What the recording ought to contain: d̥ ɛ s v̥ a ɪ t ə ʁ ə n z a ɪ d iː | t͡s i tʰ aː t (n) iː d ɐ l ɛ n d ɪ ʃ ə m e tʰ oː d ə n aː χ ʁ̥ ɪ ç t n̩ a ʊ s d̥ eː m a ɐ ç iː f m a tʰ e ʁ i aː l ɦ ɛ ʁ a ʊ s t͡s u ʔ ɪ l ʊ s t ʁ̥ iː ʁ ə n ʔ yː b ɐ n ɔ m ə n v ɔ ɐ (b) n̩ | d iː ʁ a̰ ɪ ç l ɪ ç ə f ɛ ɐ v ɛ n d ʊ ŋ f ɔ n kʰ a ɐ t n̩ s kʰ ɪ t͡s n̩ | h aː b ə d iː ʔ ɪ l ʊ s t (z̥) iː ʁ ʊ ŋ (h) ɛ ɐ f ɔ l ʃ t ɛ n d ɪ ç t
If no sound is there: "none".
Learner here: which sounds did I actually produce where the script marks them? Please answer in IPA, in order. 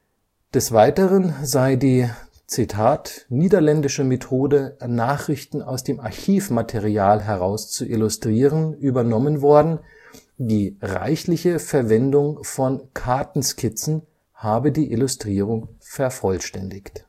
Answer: n, d, ʁ̥, f

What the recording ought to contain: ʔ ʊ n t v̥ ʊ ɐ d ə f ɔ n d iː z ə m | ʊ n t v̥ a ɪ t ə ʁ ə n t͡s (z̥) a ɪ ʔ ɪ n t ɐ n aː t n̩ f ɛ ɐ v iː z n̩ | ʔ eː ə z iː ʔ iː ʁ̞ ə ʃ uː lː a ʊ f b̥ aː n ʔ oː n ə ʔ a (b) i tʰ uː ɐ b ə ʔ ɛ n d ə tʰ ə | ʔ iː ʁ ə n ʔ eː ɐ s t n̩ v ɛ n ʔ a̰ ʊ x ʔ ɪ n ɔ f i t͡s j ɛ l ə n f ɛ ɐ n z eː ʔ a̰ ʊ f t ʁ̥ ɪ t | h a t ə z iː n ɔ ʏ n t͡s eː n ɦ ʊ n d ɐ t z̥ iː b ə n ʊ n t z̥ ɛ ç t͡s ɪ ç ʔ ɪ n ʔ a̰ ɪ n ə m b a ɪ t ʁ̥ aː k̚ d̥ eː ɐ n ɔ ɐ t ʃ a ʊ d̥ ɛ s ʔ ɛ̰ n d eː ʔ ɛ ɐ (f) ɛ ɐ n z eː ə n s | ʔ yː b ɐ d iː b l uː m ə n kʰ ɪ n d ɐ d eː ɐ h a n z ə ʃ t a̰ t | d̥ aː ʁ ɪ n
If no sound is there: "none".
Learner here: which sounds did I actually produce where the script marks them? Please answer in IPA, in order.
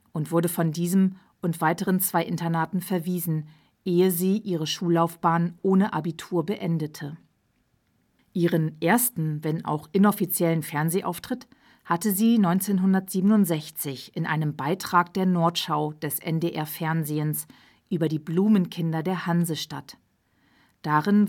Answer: v̥, b, f

